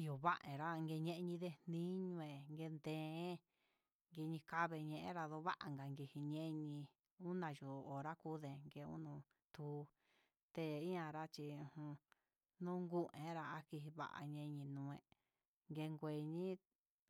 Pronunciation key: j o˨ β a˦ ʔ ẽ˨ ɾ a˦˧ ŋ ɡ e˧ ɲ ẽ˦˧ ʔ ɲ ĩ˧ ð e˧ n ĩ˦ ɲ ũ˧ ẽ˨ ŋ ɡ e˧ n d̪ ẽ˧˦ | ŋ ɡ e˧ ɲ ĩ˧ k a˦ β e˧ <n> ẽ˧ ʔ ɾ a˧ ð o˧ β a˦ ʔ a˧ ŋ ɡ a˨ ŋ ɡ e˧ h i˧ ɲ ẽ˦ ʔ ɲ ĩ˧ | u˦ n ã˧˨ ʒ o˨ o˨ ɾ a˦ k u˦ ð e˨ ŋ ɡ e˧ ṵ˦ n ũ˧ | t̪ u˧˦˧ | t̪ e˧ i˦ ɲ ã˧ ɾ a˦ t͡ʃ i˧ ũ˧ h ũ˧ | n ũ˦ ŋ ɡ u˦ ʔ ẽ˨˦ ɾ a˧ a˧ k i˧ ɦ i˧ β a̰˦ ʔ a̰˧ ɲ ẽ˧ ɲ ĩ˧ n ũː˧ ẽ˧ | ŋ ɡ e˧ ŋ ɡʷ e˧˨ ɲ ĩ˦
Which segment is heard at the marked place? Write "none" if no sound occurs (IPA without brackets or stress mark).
ɲ